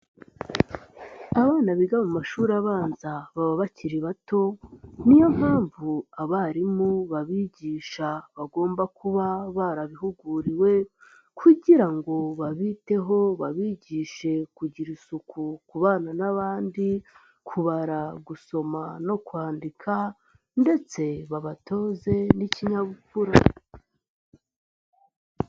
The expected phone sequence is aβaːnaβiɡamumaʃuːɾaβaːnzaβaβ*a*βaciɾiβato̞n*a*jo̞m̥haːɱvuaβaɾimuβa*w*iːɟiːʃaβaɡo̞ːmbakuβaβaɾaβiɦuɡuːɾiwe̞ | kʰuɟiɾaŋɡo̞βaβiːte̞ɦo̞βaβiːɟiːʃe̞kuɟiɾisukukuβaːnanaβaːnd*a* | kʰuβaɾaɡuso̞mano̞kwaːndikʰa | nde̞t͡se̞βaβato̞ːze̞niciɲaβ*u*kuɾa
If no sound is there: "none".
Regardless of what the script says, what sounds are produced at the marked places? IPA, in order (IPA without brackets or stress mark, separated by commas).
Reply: a, i, β, i, u